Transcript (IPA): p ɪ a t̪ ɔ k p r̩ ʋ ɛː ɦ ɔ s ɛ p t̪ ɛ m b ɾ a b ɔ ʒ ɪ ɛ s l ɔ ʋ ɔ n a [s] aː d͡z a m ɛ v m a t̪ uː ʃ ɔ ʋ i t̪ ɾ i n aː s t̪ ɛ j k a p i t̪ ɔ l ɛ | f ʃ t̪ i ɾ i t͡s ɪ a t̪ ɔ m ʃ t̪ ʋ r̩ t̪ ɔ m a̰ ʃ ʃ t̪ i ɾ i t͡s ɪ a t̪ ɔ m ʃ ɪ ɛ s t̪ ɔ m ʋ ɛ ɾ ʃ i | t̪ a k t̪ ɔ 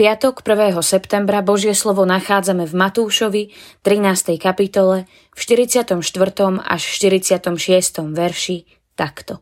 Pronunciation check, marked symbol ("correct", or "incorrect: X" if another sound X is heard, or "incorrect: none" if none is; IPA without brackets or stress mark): incorrect: x